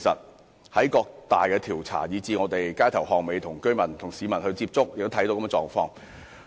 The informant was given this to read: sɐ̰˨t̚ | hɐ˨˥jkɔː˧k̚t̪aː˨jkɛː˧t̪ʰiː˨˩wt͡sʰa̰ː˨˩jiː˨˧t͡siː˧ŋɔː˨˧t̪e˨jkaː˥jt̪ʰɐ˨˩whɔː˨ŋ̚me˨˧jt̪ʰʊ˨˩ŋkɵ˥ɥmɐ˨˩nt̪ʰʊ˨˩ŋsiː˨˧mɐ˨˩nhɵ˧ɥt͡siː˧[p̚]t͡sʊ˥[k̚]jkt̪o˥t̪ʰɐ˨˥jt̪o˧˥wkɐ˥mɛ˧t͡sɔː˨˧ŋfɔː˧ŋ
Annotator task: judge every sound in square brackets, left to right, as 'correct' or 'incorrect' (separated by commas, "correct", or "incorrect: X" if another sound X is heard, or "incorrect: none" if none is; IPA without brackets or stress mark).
correct, correct